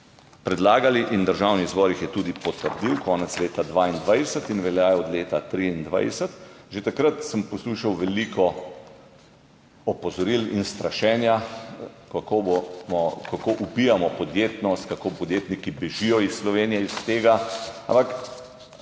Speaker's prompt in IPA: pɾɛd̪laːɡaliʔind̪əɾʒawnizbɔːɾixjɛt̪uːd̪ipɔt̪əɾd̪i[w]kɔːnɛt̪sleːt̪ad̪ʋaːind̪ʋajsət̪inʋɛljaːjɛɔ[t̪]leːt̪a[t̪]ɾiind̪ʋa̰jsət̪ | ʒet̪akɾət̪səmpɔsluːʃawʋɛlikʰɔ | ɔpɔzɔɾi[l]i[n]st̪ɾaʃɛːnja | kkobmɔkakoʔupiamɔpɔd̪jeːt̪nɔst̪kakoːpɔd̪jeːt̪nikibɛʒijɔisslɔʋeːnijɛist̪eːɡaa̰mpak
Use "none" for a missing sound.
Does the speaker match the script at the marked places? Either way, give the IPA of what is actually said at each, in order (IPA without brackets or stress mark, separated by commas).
w, d̪, t̪, l, n